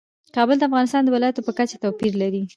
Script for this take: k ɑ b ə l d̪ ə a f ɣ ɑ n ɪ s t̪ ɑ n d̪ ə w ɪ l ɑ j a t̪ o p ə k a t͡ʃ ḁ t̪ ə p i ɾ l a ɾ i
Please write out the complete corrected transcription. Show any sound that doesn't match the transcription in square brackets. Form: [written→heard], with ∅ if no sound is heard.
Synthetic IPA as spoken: k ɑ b ə l d̪ ə a f ɣ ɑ n ɪ s t̪ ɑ n d̪ ə w ɪ l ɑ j a t̪ o p ə k a t͡ʃ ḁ t̪ [ə→a] p i ɾ l a ɾ i